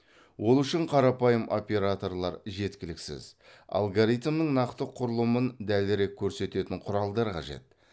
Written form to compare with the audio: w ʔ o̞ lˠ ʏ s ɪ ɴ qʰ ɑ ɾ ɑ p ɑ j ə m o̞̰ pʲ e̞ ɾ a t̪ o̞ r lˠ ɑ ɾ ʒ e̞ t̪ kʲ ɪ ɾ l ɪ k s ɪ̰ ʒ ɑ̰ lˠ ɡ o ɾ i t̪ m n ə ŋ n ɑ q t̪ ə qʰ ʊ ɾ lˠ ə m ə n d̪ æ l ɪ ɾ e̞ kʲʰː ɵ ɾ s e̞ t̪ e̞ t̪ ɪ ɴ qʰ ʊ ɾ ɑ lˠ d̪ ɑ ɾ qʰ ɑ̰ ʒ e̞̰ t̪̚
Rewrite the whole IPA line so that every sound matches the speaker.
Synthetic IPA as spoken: w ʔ o̞ lˠ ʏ ʃ ɪ ɴ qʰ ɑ ɾ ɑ p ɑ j ə m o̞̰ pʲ e̞ ɾ a t̪ o̞ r lˠ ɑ ɾ ʒ e̞ t̪ kʲ ɪ l ɪ k s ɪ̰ z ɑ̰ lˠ ɡ o ɾ i t̪ m n ə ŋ n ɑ q t̪ ə qʰ ʊ ɾ lˠ ə m ə n d̪ æ l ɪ ɾ e̞ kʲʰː ɵ ɾ s e̞ t̪ e̞ t̪ ɪ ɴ qʰ ʊ ɾ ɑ lˠ d̪ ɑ ɾ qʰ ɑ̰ ʒ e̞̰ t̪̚